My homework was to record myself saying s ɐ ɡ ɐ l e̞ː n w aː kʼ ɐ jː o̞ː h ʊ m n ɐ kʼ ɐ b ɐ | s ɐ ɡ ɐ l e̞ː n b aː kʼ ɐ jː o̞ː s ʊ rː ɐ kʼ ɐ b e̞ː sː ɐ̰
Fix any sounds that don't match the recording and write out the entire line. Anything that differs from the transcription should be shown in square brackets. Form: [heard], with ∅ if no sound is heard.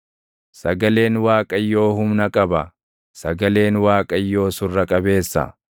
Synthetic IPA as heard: s ɐ ɡ ɐ l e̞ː n w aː kʼ ɐ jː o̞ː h ʊ m n ɐ kʼ ɐ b ɐ | s ɐ ɡ ɐ l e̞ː n [w] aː kʼ ɐ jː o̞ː s ʊ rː ɐ kʼ ɐ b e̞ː sː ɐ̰

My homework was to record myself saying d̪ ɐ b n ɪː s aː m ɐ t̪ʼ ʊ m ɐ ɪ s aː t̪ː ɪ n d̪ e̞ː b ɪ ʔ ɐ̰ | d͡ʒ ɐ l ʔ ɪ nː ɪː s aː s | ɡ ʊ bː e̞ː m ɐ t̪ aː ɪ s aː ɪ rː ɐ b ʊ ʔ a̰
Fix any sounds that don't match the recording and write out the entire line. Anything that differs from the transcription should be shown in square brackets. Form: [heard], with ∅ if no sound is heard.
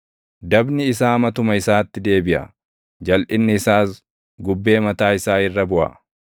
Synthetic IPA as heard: d̪ ɐ b n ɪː s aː m ɐ [t̪] ʊ m ɐ ɪ s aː t̪ː ɪ [∅] d̪ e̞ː b ɪ ʔ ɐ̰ | d͡ʒ ɐ l ʔ ɪ nː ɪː s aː s | ɡ ʊ bː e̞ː m ɐ t̪ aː ɪ s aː ɪ rː ɐ b ʊ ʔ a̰

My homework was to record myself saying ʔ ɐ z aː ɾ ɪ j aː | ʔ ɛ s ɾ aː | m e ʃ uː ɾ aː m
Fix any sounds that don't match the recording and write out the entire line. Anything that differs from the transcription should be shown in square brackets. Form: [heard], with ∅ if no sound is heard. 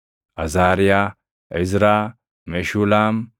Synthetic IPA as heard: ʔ ɐ z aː ɾ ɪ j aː | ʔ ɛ [z] ɾ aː | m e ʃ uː [l] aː m

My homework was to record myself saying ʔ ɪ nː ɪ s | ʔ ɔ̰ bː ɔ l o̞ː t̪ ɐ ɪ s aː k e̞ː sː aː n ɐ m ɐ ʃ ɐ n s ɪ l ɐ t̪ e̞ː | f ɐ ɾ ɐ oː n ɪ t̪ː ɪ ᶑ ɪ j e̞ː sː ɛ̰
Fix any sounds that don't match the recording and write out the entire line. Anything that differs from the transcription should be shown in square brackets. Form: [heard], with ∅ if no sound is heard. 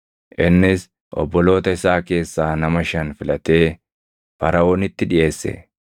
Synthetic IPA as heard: ʔ ɪ nː ɪ s | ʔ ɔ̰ bː ɔ l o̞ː t̪ ɐ ɪ s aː k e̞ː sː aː n ɐ m ɐ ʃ ɐ n [f] ɪ l ɐ t̪ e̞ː | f ɐ ɾ ɐ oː n ɪ t̪ː ɪ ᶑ ɪ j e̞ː sː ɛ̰

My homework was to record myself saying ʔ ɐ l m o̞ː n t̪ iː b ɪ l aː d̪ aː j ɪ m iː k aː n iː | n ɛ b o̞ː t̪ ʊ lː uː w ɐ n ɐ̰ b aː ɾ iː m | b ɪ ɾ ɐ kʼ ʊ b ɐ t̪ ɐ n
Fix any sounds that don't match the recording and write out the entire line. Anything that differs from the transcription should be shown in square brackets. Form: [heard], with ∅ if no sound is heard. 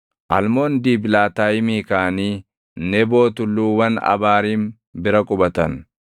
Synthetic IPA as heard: ʔ ɐ l m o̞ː n [d̪] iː b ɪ l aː [t̪] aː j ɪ m iː k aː n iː | n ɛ b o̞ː t̪ ʊ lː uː w ɐ n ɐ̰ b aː ɾ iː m | b ɪ ɾ ɐ kʼ ʊ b ɐ t̪ ɐ n

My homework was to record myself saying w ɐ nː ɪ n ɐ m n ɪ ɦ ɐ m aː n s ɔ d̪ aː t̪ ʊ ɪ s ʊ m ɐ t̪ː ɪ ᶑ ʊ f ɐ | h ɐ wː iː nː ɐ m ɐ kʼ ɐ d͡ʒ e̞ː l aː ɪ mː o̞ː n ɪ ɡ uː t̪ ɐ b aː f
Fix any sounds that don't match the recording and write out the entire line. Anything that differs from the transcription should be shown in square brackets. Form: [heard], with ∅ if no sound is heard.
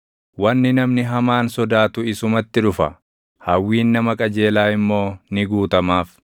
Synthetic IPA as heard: w ɐ nː ɪ n ɐ m n ɪ ɦ ɐ m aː n s ɔ d̪ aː t̪ ʊ ɪ s ʊ m ɐ t̪ː ɪ ᶑ ʊ f ɐ | h ɐ wː iː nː ɐ m ɐ kʼ ɐ d͡ʒ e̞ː l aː ɪ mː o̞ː n ɪ ɡ uː t̪ ɐ [m] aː f

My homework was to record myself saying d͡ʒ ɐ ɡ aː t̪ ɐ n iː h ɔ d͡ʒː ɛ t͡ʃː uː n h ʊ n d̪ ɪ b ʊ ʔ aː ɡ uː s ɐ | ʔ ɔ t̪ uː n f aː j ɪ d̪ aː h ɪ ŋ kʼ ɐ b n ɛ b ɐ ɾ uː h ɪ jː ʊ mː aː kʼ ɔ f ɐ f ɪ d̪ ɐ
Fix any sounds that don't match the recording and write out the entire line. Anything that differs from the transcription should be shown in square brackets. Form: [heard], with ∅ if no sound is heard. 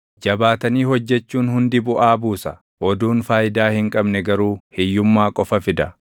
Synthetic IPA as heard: d͡ʒ ɐ [b] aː t̪ ɐ n iː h ɔ d͡ʒː ɛ t͡ʃː uː n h ʊ n d̪ ɪ b ʊ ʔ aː [b] uː s ɐ | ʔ ɔ [d̪] uː n f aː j ɪ d̪ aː h ɪ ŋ kʼ ɐ b n ɛ [ɡ] ɐ ɾ uː h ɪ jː ʊ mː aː kʼ ɔ f ɐ f ɪ d̪ ɐ

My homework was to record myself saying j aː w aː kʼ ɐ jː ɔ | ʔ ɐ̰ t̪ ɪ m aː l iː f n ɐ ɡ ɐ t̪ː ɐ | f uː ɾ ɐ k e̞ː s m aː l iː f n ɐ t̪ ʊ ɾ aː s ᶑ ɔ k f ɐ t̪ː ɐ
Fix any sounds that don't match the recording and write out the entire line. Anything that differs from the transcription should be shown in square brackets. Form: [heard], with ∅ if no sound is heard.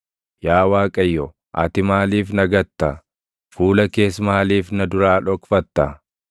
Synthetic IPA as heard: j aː w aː kʼ ɐ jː ɔ | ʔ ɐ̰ t̪ ɪ m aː l iː f n ɐ ɡ ɐ t̪ː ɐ | f uː [l] ɐ k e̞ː s m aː l iː f n ɐ [d̪] ʊ ɾ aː [∅] ᶑ ɔ k f ɐ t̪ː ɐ

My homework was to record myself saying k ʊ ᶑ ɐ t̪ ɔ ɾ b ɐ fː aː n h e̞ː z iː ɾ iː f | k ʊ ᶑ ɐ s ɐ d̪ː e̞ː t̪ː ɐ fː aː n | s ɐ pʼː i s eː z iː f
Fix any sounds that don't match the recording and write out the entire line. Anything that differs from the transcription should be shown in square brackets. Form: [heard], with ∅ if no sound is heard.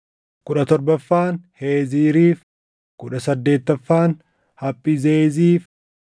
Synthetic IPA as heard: k ʊ ᶑ ɐ t̪ ɔ ɾ b ɐ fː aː n h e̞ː z iː ɾ iː f | k ʊ ᶑ ɐ s ɐ d̪ː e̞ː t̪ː ɐ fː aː n | [h] ɐ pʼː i [z] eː z iː f

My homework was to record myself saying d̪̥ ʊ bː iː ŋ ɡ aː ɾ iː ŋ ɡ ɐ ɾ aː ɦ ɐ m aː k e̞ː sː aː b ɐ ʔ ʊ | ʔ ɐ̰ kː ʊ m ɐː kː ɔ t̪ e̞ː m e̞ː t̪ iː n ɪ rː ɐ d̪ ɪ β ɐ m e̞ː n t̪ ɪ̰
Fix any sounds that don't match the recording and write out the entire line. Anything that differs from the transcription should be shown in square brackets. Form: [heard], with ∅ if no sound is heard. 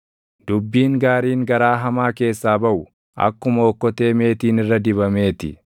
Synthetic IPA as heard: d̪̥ ʊ bː iː ŋ ɡ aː ɾ iː ŋ ɡ ɐ ɾ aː ɦ ɐ m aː k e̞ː sː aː b ɐ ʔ ʊ | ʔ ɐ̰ kː ʊ m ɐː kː ɔ t̪ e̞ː m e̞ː t̪ iː n ɪ rː ɐ d̪ ɪ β ɐ m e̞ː [∅] t̪ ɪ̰

